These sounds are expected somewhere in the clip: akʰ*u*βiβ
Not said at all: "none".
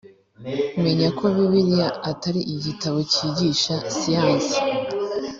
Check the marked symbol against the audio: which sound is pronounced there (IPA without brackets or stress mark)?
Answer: o